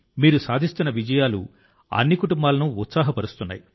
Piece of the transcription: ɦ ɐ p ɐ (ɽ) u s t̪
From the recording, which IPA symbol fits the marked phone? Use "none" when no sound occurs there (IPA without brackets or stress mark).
ɾ